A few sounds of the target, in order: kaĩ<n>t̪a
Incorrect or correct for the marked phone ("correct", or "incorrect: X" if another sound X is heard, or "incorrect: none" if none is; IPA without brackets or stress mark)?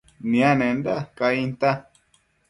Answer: correct